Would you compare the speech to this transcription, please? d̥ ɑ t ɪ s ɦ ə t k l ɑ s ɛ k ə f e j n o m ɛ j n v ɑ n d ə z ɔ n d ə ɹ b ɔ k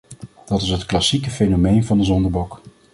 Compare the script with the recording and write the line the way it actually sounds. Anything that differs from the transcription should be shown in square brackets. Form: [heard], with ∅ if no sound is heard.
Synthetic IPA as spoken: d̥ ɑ t ɪ s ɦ ə t k l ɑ s [i] k ə f e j n o m [e] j n v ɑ n d ə z ɔ n d ə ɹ b ɔ k